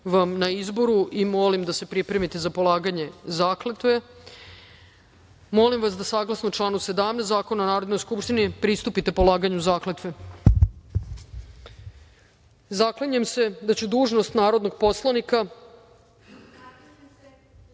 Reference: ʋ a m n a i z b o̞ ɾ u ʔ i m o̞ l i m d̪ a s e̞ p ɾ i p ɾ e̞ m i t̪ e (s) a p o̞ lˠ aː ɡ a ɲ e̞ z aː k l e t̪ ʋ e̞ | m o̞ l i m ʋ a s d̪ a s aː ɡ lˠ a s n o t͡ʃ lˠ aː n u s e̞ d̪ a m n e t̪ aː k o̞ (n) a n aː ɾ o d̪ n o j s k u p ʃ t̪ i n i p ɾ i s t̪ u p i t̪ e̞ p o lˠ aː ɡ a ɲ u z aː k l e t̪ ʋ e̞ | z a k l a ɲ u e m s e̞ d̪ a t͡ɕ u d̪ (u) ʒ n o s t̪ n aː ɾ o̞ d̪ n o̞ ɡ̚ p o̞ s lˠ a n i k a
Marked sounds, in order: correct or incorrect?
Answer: incorrect: z, correct, incorrect: uː

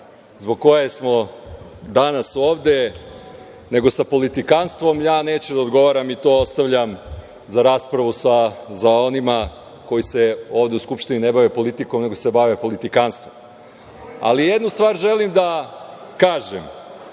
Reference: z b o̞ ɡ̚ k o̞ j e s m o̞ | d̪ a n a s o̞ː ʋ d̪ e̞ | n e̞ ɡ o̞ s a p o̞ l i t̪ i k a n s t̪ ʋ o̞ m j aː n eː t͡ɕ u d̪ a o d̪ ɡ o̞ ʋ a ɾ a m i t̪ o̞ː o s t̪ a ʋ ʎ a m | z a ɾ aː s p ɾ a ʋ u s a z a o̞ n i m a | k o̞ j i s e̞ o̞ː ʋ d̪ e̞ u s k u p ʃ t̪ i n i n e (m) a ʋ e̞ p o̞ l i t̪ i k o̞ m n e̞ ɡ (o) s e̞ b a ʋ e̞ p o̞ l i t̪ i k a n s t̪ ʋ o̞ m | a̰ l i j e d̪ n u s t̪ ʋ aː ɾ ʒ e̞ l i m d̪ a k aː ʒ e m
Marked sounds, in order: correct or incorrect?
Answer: incorrect: b, correct

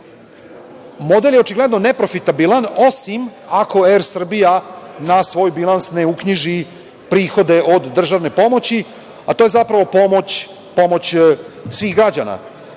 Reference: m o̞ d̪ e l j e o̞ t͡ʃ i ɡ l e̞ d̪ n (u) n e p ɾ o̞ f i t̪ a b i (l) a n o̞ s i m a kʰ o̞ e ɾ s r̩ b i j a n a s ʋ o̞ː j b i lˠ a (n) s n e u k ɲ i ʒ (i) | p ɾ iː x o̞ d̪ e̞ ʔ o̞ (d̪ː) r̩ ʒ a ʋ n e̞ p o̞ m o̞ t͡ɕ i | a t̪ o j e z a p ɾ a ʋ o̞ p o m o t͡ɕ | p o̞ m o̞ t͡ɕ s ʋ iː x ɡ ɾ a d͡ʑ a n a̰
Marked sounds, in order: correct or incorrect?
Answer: incorrect: o, correct, correct, correct, correct

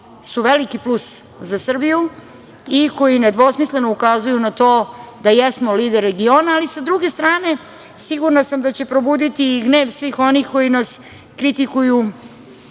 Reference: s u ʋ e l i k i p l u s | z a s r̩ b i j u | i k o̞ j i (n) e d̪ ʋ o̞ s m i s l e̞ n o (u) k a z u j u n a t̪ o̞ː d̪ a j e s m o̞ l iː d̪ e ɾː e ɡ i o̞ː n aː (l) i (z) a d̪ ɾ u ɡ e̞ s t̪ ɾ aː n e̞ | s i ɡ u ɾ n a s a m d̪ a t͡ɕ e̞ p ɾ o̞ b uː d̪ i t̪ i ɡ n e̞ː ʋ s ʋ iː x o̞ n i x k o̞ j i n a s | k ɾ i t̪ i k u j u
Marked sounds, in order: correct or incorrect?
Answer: correct, correct, correct, incorrect: s

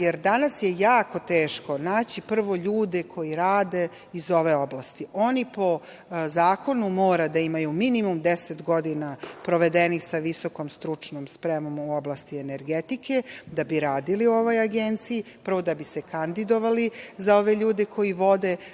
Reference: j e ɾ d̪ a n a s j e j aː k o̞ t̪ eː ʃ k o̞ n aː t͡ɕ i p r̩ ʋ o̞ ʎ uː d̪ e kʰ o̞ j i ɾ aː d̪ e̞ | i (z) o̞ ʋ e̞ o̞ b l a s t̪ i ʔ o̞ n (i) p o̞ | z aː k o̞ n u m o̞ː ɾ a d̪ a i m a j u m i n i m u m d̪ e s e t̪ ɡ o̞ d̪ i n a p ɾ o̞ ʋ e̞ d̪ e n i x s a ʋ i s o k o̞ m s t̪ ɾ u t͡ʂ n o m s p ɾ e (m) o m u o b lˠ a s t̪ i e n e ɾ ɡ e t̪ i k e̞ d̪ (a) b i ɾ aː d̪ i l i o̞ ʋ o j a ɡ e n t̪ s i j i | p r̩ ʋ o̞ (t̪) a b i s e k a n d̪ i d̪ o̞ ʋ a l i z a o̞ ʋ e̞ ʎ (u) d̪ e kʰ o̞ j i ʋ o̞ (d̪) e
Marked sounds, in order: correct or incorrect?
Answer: correct, correct, correct, correct, incorrect: d̪, incorrect: uː, correct

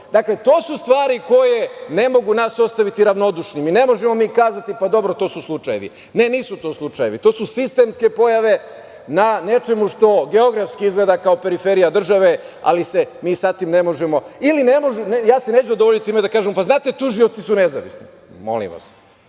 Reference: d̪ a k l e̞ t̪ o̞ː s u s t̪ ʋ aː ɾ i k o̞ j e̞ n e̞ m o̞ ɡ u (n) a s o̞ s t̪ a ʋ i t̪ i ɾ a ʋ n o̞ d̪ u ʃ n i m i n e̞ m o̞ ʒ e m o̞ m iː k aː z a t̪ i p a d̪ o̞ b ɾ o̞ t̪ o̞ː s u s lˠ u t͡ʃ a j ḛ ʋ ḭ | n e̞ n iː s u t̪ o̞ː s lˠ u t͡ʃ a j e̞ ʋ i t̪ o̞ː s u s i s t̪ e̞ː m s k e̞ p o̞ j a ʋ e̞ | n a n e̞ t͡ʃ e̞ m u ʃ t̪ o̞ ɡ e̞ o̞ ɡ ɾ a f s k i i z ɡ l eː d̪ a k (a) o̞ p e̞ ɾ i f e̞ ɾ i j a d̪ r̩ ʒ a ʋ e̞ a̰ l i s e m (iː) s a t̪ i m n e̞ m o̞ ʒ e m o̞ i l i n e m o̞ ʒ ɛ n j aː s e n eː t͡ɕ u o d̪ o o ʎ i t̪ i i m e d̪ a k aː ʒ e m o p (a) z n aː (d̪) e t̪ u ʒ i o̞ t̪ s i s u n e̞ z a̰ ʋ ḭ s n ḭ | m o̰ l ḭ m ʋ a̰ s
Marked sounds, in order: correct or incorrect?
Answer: correct, correct, correct, correct, incorrect: t̪

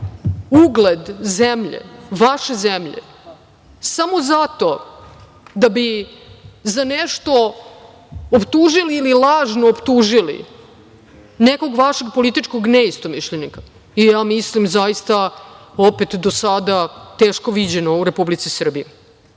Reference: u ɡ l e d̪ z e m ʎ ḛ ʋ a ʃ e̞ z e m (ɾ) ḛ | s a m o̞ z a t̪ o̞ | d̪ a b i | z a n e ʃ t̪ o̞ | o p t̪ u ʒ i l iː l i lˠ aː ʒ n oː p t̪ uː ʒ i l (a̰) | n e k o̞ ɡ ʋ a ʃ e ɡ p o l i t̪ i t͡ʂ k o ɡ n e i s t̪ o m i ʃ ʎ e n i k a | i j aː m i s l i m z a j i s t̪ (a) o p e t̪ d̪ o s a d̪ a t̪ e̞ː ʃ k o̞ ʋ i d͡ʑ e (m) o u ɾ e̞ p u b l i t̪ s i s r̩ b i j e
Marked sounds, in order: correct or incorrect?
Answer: incorrect: ʎ, incorrect: ḭ, correct, incorrect: n

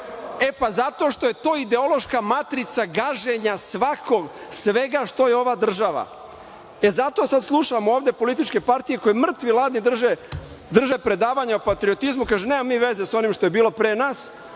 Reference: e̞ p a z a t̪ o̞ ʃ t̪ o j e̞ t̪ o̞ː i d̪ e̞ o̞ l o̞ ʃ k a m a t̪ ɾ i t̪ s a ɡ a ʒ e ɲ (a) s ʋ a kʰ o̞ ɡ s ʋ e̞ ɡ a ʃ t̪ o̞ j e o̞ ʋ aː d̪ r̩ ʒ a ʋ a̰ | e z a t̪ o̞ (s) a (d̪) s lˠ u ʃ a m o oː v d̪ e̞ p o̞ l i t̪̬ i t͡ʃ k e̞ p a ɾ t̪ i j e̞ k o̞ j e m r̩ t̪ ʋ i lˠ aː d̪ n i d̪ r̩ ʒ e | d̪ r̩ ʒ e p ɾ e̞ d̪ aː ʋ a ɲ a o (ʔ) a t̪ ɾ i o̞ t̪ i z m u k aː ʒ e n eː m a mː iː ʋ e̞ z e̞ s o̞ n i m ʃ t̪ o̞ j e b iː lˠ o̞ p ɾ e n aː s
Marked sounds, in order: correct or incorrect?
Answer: correct, correct, correct, incorrect: p

